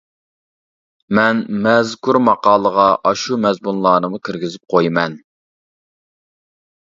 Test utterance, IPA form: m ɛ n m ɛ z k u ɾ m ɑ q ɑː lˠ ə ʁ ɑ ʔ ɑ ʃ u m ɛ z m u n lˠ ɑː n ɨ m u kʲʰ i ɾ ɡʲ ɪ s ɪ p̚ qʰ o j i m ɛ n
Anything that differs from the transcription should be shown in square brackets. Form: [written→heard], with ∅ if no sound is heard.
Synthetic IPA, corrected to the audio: m ɛ n m ɛ z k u ɾ m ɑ q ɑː lˠ ə ʁ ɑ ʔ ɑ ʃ u m ɛ z m u n lˠ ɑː n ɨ m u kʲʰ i ɾ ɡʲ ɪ [s→z] ɪ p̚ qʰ o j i m ɛ n